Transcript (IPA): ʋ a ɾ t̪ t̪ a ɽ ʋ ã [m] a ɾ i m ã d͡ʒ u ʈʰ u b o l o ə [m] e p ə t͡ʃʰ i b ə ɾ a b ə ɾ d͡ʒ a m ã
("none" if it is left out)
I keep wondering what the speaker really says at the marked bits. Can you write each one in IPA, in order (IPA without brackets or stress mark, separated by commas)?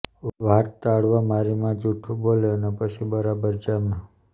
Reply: m, n